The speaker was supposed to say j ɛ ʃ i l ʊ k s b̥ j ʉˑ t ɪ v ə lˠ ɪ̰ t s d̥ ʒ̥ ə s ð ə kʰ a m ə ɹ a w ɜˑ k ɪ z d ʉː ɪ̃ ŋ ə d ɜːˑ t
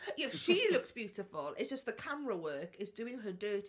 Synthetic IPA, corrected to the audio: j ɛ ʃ i l ʊ k s b̥ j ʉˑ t ɪ f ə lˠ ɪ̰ t s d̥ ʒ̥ ʌ s ð ə kʰ a m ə ɹ ə w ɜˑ k ɪ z d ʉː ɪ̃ ŋ ə d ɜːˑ t